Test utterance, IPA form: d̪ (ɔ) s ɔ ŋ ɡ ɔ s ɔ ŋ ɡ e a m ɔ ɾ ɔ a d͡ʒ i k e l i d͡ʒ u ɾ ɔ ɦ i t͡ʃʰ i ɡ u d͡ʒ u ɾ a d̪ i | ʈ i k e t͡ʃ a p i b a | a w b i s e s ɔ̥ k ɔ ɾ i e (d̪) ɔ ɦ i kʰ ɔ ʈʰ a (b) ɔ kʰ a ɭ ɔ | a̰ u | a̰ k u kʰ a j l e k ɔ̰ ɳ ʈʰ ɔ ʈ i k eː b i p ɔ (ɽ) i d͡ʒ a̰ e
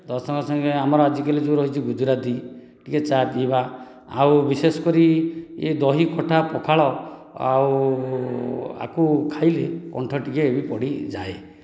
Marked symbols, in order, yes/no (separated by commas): yes, yes, no, yes